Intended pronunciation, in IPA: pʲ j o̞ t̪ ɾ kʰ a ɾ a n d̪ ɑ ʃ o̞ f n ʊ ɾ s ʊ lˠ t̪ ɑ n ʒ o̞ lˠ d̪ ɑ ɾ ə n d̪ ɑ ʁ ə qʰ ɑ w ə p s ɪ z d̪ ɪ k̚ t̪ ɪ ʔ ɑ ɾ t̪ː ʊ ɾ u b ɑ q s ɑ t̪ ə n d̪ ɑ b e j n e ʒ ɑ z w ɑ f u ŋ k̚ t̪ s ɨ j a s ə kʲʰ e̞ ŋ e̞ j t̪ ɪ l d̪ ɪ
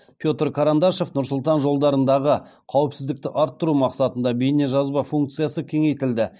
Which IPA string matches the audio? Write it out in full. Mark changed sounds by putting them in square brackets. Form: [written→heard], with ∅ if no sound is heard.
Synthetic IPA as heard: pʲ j o̞ t̪ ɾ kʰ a ɾ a n d̪ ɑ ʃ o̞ f n ʊ ɾ s ʊ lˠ t̪ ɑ n ʒ o̞ lˠ d̪ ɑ ɾ ə n d̪ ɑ ʁ ə qʰ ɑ w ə p s ɪ z d̪ ɪ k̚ t̪ ɪ ʔ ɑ ɾ t̪ː ʊ ɾ u [b→m] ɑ q s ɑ t̪ ə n d̪ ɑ b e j n e ʒ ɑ z [w→b] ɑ f u ŋ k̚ t̪ s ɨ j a s ə kʲʰ e̞ ŋ e̞ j t̪ ɪ l d̪ ɪ